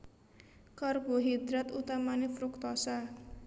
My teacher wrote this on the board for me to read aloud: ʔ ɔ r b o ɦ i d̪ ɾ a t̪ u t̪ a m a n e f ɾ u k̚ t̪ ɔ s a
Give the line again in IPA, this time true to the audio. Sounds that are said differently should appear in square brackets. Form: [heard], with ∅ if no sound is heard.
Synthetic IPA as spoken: [k] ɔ r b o ɦ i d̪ ɾ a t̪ u t̪ a m a n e f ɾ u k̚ t̪ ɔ s a